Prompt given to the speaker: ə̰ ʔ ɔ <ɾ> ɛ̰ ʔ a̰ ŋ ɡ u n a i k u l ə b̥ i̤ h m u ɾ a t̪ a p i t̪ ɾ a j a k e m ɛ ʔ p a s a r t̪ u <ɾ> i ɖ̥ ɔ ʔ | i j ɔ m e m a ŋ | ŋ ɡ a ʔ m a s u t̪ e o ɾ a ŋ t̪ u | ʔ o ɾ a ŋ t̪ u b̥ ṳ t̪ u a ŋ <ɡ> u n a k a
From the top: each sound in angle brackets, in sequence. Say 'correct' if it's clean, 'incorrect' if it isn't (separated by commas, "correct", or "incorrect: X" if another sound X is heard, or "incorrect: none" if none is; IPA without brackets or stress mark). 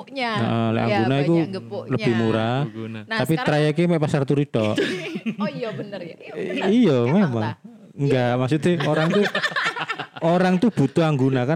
incorrect: l, correct, correct